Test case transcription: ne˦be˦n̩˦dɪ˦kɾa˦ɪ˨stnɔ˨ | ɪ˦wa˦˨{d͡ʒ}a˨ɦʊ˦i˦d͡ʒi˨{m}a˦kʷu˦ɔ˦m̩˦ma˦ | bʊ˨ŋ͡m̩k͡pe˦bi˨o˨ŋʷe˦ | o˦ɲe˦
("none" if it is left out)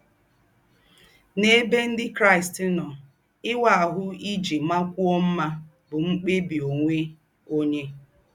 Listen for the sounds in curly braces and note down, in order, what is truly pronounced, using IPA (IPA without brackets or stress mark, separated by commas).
none, m